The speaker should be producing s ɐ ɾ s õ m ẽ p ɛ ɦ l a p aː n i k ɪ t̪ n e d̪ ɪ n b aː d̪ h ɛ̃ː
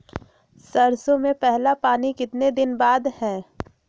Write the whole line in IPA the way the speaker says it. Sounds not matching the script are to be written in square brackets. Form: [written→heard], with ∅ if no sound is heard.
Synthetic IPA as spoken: s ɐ ɾ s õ m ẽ p ɛ ɦ l a p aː n i k ɪ t̪ n e d̪ ɪ n b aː d̪ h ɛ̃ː